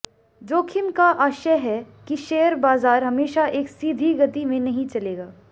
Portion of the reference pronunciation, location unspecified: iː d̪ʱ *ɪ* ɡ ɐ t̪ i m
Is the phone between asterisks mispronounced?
yes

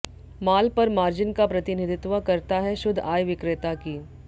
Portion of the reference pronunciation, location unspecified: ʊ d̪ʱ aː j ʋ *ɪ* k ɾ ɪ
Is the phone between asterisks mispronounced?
no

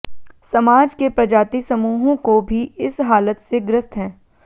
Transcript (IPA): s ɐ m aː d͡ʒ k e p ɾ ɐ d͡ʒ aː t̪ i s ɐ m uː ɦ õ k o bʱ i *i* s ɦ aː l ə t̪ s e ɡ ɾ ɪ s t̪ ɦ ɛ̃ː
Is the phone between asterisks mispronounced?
yes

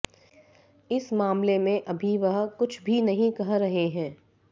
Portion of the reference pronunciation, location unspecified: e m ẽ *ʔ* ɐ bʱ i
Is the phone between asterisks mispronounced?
no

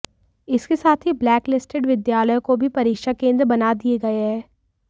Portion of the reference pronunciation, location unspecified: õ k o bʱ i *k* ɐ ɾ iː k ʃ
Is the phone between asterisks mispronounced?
yes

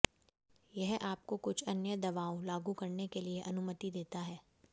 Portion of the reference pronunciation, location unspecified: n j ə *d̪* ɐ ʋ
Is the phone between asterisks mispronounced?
no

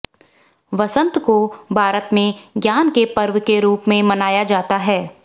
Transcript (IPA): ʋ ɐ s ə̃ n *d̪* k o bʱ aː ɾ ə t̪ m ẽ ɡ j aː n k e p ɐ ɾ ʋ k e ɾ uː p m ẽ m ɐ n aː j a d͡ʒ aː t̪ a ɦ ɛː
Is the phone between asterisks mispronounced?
yes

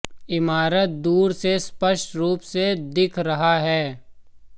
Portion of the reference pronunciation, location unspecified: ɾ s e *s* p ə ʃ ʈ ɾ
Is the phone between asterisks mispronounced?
no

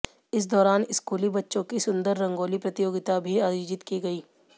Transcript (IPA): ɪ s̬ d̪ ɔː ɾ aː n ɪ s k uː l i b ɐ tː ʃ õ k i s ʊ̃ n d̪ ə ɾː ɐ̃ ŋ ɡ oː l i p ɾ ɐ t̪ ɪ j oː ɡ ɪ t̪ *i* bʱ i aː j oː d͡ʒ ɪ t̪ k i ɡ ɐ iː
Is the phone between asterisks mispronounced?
yes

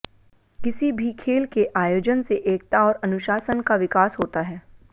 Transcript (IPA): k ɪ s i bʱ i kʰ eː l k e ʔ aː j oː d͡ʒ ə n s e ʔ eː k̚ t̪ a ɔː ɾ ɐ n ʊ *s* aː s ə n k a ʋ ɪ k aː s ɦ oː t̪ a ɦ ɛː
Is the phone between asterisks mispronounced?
yes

